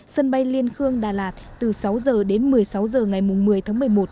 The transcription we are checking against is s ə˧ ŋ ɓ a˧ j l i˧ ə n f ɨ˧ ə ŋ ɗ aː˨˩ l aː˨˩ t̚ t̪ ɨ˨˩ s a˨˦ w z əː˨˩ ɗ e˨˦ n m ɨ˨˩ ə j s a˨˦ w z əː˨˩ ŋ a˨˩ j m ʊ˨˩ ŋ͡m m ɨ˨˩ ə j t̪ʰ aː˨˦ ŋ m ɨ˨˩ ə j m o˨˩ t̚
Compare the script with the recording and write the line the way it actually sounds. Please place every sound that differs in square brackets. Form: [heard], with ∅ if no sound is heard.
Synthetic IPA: s ə˧ [n] ɓ a˧ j l i˧ ə n [x] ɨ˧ ə ŋ ɗ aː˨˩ l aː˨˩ t̚ t̪ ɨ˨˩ s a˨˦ w z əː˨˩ ɗ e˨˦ n m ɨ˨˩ ə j s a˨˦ w z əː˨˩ ŋ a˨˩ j m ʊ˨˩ ŋ͡m m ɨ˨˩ ə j t̪ʰ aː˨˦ ŋ m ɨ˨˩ ə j m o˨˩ t̚